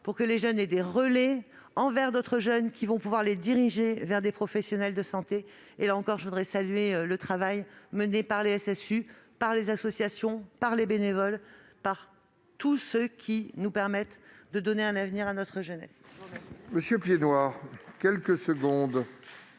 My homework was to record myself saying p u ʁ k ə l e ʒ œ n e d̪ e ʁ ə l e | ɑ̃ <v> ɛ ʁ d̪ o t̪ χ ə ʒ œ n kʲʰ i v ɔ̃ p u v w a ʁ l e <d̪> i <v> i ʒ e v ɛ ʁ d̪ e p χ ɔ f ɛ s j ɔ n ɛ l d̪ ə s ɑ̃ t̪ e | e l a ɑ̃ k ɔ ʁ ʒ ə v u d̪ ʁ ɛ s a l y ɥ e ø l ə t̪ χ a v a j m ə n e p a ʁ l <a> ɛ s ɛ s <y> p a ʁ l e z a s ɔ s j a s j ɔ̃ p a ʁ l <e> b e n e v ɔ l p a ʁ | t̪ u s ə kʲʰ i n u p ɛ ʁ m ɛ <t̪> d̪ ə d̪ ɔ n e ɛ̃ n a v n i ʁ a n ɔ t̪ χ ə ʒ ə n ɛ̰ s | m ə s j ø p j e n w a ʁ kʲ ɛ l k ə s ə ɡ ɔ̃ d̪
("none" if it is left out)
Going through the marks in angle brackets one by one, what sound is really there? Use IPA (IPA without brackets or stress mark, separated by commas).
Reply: v, d̪, ʁ, e, y, e, t̪